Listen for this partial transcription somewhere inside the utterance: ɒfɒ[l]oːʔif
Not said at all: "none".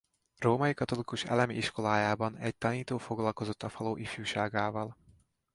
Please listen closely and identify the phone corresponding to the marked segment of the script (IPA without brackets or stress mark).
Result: l